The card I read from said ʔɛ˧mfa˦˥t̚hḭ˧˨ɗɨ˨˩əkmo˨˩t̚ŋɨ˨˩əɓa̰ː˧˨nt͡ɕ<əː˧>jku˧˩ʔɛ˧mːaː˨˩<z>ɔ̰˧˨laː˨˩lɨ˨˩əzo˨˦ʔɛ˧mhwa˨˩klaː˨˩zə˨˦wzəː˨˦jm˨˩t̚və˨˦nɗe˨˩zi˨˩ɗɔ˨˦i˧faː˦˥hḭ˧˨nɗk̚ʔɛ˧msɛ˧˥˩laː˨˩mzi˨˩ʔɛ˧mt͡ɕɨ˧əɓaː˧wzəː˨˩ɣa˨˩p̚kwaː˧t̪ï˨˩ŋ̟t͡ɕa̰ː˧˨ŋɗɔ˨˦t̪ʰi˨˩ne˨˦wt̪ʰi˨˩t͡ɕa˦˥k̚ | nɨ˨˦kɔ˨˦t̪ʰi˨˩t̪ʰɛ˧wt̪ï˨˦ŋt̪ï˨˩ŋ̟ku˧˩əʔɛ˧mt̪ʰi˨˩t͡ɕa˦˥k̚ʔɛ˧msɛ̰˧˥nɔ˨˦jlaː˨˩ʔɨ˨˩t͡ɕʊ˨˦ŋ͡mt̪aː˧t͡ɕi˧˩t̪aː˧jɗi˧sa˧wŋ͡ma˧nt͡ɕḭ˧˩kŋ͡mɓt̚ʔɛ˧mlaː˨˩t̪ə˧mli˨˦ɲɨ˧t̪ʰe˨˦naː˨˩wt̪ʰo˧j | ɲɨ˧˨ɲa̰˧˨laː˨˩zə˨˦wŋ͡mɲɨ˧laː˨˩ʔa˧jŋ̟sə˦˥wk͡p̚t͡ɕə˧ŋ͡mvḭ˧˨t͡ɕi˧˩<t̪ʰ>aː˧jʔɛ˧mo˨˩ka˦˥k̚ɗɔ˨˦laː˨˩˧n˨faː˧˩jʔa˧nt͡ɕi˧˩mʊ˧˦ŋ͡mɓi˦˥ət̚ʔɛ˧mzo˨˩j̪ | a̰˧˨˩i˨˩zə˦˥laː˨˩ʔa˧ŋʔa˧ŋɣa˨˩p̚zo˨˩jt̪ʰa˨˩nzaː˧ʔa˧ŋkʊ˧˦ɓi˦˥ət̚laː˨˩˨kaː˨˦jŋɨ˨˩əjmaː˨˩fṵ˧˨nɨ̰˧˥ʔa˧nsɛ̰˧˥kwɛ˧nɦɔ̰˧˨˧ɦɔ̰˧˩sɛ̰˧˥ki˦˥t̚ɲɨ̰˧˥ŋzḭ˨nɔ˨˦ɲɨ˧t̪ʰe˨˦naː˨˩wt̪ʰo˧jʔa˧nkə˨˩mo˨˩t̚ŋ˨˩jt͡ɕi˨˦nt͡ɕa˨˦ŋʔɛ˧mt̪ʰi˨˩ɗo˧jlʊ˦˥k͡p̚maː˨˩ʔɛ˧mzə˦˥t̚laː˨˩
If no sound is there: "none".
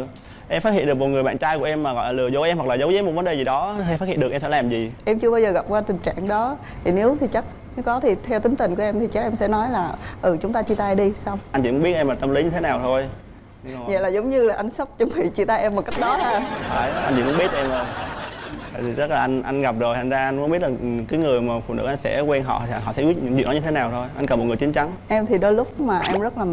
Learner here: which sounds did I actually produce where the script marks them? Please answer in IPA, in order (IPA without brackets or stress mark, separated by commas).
aː˧, ɣ, t̪